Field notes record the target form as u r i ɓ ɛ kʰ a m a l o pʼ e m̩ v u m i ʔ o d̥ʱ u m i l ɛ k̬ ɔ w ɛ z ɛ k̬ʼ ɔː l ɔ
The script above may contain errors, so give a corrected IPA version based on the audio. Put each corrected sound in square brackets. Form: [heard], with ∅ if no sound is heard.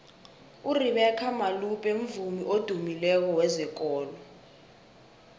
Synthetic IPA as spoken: u r i ɓ ɛ kʰ a m a l [u] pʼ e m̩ v u m i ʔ o d̥ʱ u m i l ɛ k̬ ɔ w ɛ z ɛ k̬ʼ ɔː l ɔ